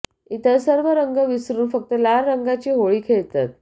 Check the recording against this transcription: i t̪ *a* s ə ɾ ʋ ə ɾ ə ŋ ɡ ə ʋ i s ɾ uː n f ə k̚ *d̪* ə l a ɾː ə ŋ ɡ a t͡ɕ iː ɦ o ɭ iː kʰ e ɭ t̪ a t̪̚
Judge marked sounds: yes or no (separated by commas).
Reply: no, no